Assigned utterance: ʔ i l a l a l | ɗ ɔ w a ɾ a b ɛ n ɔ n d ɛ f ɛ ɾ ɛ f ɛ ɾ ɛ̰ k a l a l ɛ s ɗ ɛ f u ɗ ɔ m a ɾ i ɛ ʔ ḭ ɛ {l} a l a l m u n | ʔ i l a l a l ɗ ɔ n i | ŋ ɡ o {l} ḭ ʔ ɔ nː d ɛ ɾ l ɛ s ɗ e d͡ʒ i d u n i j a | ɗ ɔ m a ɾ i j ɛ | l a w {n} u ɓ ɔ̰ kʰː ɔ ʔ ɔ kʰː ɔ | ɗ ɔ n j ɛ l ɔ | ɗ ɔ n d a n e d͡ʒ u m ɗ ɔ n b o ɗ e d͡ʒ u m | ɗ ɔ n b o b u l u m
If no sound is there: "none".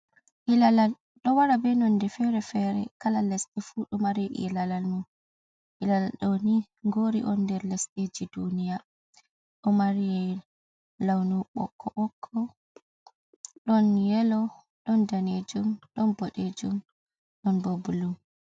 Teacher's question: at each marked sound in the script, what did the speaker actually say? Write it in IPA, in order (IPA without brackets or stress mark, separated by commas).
l, ɾ, n